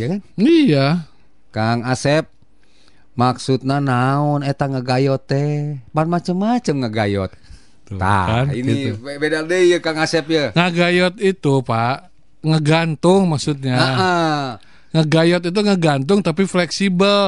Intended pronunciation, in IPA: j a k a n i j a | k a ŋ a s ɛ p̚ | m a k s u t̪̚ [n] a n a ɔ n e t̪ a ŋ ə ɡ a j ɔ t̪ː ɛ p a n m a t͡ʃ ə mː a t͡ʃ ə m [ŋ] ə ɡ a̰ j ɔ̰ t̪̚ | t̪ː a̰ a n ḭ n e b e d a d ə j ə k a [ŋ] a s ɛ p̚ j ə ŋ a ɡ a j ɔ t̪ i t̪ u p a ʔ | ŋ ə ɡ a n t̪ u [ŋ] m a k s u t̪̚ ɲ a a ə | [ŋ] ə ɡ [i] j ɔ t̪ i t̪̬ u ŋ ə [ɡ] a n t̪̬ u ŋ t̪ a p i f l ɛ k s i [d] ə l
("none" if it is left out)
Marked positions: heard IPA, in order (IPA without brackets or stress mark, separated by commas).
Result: n, ŋ, ŋ, ŋ, ŋ, a, ɡ, b